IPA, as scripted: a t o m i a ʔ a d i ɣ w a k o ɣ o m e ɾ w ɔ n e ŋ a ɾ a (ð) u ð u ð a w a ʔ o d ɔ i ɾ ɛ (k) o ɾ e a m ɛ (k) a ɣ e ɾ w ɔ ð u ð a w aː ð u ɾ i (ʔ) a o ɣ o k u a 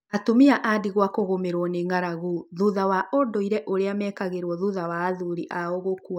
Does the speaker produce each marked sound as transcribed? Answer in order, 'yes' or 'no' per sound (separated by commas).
no, no, yes, yes